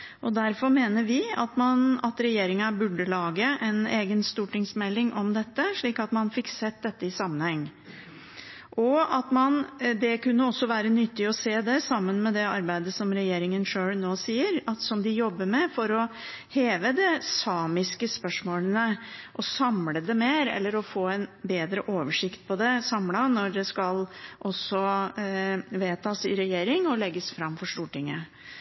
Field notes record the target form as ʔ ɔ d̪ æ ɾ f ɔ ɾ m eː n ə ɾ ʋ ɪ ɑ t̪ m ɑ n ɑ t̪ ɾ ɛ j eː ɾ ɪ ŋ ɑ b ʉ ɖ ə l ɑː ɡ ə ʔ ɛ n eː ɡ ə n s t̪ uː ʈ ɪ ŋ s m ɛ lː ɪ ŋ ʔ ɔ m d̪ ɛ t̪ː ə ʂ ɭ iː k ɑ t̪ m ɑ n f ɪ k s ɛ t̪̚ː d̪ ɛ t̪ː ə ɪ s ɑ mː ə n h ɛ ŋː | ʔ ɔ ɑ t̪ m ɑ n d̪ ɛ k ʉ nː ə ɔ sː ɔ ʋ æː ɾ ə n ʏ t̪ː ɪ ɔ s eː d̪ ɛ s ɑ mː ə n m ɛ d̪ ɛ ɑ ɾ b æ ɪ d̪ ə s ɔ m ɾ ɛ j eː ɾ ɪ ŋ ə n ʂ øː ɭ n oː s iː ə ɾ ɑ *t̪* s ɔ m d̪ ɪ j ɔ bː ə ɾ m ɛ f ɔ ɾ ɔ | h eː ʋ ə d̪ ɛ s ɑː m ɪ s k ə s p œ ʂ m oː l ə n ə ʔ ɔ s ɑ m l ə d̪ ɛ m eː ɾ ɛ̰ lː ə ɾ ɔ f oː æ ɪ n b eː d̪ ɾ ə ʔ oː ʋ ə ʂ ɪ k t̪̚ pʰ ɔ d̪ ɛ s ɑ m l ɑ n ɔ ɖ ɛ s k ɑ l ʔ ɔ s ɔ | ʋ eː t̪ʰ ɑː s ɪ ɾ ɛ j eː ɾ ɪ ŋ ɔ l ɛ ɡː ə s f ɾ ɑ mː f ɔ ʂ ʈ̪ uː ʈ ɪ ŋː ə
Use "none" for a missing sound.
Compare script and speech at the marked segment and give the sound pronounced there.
t̪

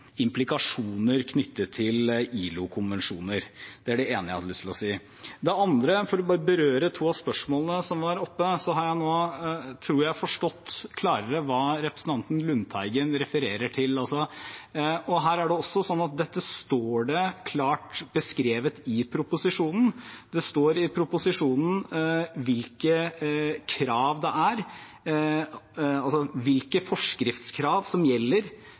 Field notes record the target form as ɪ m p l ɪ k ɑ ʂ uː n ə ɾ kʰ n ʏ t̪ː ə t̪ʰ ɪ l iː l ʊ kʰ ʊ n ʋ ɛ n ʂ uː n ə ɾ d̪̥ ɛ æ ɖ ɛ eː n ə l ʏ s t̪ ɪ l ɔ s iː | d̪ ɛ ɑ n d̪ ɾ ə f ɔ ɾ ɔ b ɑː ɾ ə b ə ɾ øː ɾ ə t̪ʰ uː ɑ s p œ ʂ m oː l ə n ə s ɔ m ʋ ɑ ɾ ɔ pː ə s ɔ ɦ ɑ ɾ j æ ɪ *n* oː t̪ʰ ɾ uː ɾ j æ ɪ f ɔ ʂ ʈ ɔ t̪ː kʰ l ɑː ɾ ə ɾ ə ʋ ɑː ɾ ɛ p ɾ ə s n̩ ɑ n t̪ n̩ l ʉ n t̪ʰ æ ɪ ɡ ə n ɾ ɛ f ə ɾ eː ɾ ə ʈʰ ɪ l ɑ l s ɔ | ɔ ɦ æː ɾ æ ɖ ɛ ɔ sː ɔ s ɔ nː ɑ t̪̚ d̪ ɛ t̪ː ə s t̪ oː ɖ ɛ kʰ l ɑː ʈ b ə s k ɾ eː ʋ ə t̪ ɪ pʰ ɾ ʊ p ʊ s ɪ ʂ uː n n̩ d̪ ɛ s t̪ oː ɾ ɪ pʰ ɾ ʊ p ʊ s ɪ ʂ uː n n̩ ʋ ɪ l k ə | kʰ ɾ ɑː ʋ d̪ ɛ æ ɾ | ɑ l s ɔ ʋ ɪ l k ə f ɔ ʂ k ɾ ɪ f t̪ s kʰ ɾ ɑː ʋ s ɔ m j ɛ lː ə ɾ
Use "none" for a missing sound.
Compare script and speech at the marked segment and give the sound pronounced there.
n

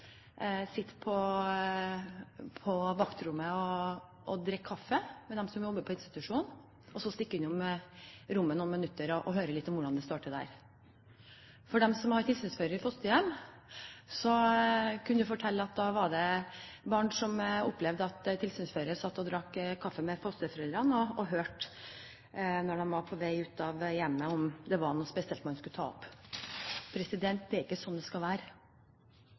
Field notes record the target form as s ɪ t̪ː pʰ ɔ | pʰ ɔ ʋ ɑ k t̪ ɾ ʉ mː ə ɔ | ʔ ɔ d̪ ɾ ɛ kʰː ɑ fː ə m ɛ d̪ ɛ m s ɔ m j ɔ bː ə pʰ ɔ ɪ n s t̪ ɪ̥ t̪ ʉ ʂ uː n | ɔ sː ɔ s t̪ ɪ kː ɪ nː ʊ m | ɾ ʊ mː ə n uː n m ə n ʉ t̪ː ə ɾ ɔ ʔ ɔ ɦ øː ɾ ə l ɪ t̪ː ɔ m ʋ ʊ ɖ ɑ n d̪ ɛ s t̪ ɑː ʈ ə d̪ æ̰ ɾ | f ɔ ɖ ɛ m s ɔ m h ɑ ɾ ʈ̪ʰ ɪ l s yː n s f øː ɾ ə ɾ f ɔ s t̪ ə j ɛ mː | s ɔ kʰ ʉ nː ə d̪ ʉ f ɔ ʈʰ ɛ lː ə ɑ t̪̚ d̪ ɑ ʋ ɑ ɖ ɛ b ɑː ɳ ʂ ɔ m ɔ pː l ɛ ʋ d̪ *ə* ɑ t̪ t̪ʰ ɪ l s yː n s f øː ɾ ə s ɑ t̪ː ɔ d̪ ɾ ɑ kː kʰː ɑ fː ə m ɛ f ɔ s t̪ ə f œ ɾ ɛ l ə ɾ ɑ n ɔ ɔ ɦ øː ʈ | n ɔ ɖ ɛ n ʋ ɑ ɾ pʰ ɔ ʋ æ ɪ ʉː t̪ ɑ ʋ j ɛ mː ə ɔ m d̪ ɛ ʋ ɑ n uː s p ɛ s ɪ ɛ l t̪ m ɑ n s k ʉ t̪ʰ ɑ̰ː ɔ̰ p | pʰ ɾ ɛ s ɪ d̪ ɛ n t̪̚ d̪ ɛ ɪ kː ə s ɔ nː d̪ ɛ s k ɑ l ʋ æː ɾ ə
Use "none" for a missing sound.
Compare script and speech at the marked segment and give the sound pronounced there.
ə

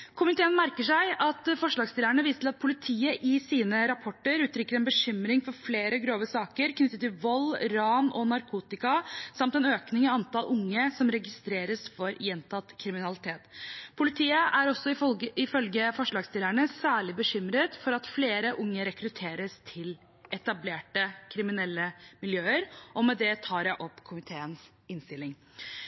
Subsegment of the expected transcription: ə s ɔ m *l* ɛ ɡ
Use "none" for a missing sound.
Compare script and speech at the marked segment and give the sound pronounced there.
ɾ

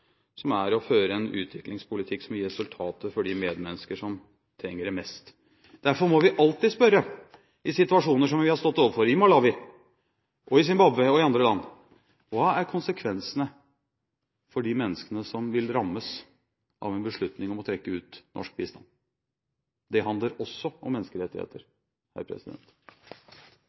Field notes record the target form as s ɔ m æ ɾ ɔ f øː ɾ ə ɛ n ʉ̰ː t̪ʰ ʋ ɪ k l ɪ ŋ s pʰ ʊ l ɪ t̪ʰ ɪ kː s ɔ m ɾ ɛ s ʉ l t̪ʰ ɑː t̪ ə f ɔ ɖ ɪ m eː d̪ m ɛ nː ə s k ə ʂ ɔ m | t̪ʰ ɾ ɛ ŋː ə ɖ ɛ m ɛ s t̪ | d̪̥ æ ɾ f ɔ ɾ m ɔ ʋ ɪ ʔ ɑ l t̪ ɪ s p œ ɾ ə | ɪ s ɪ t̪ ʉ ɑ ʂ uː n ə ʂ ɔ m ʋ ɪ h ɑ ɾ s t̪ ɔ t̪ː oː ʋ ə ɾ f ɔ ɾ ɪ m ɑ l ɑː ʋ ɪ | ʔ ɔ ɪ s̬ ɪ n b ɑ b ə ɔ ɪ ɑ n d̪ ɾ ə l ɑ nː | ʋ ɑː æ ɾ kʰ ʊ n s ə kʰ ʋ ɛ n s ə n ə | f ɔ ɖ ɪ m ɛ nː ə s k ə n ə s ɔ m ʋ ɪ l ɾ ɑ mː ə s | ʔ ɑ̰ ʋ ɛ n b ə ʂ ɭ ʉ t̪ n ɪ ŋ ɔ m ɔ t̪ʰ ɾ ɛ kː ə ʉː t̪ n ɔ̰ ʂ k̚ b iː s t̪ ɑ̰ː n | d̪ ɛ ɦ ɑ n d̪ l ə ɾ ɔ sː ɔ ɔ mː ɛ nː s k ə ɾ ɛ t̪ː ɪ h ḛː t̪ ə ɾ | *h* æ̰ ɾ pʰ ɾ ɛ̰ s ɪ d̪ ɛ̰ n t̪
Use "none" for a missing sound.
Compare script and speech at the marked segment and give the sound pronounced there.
h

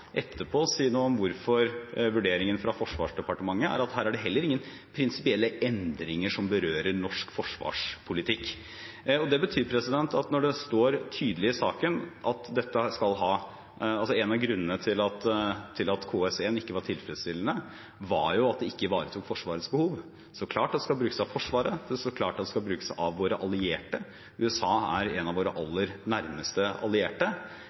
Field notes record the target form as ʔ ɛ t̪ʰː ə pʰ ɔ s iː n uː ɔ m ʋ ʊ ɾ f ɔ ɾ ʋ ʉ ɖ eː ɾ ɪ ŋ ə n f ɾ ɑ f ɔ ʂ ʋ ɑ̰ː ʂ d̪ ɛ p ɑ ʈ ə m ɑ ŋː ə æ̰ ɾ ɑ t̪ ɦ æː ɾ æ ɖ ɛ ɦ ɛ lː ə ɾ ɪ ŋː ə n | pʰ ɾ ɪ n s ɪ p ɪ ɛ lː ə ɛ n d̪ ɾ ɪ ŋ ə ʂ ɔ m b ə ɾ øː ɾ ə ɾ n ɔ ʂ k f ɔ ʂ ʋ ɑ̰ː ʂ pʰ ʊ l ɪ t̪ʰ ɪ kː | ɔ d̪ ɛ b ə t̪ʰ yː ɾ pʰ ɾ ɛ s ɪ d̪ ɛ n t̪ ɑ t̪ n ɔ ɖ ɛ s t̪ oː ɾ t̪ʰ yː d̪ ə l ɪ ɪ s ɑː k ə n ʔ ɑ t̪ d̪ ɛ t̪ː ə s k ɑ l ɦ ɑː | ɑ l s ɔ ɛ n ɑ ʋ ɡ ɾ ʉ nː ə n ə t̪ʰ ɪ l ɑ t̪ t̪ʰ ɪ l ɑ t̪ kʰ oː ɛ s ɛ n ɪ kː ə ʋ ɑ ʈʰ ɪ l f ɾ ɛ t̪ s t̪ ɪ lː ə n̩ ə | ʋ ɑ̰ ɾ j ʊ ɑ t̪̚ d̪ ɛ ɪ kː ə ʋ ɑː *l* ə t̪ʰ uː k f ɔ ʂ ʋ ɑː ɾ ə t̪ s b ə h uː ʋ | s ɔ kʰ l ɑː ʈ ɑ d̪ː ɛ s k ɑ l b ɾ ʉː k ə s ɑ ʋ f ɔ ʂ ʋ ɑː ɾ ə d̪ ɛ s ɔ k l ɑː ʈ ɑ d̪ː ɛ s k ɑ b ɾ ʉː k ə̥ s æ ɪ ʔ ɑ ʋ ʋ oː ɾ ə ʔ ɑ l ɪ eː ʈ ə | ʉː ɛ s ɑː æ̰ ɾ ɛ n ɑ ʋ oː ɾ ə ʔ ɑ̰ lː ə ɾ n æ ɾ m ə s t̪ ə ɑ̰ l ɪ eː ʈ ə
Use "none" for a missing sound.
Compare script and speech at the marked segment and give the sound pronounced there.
ɾ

